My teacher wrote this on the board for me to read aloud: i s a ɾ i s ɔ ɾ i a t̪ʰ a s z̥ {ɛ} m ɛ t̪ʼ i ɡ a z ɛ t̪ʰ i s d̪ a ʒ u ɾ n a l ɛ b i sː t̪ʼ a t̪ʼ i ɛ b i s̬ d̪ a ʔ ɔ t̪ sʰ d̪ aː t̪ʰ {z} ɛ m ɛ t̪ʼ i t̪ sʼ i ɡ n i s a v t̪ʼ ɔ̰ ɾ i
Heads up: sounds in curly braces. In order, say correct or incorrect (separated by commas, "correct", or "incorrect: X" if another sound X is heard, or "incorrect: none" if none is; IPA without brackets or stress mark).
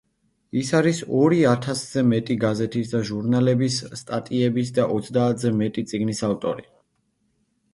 correct, correct